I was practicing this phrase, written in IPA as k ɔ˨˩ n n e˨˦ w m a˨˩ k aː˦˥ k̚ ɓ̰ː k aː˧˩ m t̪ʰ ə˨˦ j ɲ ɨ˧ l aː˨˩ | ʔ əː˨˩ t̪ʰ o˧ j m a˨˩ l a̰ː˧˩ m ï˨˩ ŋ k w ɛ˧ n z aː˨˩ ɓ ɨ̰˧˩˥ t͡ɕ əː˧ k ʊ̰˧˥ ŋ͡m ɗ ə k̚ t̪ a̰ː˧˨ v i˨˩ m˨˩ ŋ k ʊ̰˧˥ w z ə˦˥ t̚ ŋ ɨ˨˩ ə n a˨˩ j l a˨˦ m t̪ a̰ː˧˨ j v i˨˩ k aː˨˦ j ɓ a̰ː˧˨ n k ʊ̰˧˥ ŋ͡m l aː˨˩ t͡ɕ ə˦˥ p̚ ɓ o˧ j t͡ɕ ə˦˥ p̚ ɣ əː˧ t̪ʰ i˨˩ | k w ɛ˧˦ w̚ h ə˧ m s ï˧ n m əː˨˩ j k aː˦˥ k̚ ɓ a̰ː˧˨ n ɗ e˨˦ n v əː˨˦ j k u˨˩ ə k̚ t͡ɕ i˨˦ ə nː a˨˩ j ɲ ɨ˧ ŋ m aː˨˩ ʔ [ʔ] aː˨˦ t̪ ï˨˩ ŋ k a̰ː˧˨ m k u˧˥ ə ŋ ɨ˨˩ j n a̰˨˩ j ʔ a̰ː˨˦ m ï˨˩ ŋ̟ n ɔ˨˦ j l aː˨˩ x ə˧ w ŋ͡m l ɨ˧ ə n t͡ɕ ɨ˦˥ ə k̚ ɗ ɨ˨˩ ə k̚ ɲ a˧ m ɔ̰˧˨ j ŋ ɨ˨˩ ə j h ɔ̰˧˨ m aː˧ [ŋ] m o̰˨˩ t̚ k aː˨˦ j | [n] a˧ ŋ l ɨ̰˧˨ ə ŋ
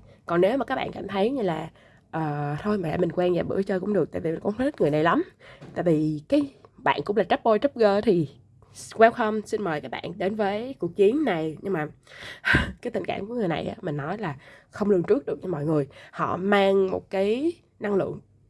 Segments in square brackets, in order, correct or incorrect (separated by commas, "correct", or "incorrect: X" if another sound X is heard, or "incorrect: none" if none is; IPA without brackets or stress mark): incorrect: k, correct, correct